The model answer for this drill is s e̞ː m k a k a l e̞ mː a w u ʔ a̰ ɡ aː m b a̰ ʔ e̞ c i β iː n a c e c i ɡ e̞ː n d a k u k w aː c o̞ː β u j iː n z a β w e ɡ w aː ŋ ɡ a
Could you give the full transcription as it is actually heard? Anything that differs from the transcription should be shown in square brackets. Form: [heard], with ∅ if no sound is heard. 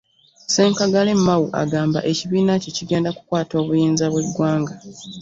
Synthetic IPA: s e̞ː [ŋ] k a [ɡ] a l e̞ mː a w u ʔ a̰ ɡ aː m b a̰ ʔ e̞ c i β iː n a c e c i ɡ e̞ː n d a k u k w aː [t] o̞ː β u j iː n z a β w e ɡ w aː ŋ ɡ a